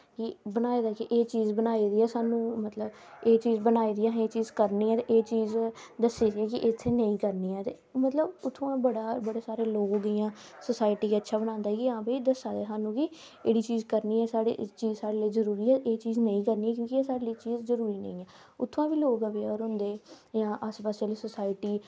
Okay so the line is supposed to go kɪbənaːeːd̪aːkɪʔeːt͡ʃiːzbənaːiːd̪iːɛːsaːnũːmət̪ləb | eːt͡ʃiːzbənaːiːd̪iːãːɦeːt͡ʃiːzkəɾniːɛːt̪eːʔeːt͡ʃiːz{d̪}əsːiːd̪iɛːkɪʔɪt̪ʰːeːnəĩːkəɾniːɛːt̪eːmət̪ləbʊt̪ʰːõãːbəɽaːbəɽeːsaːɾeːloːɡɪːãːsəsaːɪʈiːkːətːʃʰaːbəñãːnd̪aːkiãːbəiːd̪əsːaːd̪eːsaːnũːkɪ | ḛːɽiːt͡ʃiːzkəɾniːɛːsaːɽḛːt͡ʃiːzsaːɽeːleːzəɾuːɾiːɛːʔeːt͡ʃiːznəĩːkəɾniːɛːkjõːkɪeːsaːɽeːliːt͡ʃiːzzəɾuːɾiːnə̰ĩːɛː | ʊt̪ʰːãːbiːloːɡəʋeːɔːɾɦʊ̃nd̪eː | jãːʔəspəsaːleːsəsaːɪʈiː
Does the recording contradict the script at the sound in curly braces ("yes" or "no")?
no